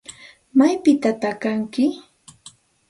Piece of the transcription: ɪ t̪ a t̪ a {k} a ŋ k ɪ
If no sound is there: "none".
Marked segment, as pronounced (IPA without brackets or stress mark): k